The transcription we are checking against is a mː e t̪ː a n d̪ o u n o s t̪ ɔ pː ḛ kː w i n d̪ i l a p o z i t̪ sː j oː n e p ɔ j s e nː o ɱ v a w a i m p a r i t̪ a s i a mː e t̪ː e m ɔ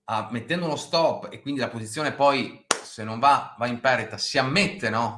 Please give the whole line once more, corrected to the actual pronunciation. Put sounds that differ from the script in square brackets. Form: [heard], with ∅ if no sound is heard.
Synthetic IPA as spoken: a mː e t̪ː [ɛ] n d̪ o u n o s t̪ ɔ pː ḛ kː w i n d̪ i l a p o z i t̪ sː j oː n e p ɔ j s e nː o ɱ v a [v] a i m p [ɛ] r i t̪ a s i a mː e t̪ː e [n] ɔ